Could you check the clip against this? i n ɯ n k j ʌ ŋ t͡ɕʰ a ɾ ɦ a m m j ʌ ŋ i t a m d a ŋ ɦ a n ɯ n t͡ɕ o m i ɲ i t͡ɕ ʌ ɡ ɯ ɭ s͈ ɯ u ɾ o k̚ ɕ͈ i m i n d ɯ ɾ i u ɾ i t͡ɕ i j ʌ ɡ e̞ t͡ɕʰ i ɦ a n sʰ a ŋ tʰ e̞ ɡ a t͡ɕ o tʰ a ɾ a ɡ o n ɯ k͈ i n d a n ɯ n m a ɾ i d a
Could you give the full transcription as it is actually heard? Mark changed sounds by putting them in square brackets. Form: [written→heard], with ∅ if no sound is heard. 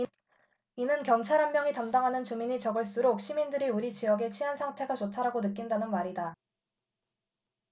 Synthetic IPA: i n ɯ n k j ʌ ŋ t͡ɕʰ a ɾ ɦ a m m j ʌ ŋ i t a m d a ŋ ɦ a n ɯ n t͡ɕ [o→u] m i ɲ i t͡ɕ ʌ ɡ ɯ ɭ s͈ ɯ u ɾ o k̚ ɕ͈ i m i n d ɯ ɾ i u ɾ i t͡ɕ i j ʌ ɡ e̞ t͡ɕʰ i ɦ a n sʰ a ŋ tʰ e̞ ɡ a t͡ɕ o tʰ a ɾ a ɡ o n ɯ k͈ i n d a n ɯ n m a ɾ i d a